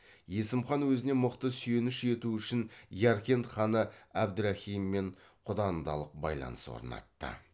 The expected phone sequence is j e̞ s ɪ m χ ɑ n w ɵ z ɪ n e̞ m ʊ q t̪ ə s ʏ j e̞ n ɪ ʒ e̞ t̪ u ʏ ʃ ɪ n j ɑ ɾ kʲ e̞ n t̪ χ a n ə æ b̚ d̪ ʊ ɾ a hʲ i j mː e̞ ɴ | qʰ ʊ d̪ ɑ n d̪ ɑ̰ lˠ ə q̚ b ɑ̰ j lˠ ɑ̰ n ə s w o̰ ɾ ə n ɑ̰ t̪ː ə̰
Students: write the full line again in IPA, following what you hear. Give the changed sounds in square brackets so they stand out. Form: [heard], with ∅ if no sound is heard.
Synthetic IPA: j e̞ s ɪ m χ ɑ n w ɵ z ɪ n e̞ m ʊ q t̪ ə s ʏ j e̞ n ɪ [ʃ] e̞ t̪ u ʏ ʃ ɪ n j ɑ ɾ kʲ e̞ n t̪ χ [ɑ] n ə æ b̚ d̪ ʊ ɾ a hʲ i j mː e̞ ɴ | qʰ ʊ d̪ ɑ n d̪ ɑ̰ lˠ ə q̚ b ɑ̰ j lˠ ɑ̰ n ə s w o̰ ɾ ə n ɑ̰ t̪ː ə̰